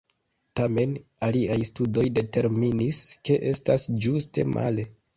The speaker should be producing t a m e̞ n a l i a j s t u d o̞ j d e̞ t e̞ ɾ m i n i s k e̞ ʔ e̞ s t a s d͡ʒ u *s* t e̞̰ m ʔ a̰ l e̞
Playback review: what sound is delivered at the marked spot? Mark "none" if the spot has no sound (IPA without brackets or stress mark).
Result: s